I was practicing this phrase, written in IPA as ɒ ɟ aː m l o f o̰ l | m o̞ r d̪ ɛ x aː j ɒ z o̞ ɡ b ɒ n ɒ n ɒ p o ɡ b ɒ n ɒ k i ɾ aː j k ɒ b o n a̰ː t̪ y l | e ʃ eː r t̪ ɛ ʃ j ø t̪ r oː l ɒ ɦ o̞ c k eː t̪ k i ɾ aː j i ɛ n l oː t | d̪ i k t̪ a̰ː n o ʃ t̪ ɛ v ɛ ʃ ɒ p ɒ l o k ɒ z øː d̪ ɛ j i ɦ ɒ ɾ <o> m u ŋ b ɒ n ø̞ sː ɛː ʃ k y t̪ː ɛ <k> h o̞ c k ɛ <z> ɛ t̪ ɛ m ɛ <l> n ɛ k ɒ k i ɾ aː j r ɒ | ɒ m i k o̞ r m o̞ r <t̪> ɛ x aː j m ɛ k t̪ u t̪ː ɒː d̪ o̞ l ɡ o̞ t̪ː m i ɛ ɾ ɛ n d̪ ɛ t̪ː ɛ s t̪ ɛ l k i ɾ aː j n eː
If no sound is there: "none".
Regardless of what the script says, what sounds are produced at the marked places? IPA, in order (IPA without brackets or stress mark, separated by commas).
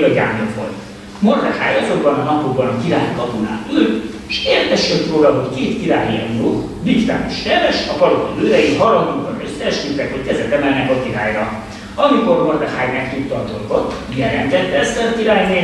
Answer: ɒ, k, z, l, d̪